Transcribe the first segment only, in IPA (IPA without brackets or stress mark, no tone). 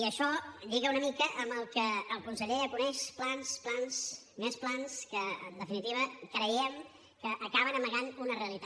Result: i